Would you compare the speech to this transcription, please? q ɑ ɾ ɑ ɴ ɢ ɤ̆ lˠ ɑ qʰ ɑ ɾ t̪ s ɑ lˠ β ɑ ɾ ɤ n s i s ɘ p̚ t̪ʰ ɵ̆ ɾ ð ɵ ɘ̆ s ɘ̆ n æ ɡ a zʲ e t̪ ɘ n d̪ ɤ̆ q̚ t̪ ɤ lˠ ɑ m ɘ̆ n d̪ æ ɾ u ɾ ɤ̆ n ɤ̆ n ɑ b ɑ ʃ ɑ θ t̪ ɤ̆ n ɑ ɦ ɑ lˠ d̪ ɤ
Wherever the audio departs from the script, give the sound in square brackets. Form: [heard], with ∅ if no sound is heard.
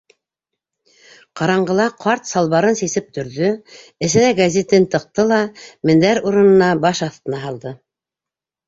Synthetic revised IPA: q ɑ ɾ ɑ ɴ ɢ ɤ̆ lˠ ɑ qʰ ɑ ɾ t̪ s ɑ lˠ β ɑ ɾ ɤ n s i s ɘ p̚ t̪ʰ ɵ̆ ɾ ð ɵ ɘ̆ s ɘ̆ n æ ɡ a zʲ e t̪ ɘ n [t̪] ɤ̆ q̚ t̪ ɤ lˠ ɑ m ɘ̆ n d̪ æ ɾ u ɾ ɤ̆ n ɤ̆ n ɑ b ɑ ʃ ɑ θ t̪ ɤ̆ n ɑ ɦ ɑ lˠ d̪ ɤ